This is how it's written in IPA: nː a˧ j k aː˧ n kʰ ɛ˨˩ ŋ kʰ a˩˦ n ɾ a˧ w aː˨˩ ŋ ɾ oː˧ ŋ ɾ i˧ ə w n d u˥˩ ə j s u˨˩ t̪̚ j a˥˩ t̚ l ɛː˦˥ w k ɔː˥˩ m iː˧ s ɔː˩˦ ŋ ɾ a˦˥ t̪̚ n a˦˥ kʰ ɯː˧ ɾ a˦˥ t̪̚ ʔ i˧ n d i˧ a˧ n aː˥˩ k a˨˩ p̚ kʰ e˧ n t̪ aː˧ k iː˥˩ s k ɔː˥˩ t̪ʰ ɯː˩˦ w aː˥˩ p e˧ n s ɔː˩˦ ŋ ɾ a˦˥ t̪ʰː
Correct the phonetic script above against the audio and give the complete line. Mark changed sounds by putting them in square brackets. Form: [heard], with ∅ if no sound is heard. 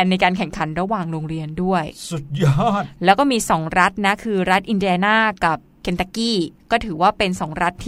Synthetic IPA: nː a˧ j k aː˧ n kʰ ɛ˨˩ ŋ kʰ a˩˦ n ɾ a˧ w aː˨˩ ŋ ɾ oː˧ ŋ ɾ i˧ ə [∅] n d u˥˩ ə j s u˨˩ t̪̚ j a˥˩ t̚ l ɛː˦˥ w k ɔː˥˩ m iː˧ s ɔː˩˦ ŋ ɾ a˦˥ t̪̚ n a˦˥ kʰ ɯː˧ ɾ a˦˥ t̪̚ ʔ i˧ n d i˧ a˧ n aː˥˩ k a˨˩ p̚ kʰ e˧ n t̪ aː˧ k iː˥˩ [∅] k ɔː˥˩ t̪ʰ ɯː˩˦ w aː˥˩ p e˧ n s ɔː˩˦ ŋ ɾ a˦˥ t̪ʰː